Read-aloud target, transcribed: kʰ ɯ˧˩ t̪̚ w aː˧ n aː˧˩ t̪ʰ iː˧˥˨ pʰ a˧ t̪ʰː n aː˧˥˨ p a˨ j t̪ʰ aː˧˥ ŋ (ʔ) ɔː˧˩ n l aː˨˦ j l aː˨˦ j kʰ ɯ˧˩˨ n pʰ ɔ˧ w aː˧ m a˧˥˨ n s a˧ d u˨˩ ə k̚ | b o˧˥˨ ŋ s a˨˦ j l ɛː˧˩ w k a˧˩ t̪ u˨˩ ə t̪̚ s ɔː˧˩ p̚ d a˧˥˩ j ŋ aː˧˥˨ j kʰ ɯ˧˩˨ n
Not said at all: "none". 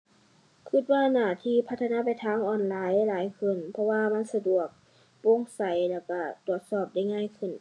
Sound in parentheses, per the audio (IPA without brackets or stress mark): ʔ